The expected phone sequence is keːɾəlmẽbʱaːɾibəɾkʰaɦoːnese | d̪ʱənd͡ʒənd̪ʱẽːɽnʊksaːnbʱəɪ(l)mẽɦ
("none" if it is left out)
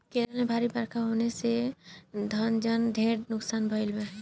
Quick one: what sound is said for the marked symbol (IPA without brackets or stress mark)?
l